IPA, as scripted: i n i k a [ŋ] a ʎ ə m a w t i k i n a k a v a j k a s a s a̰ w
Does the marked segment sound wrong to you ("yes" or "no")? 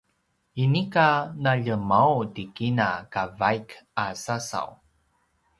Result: yes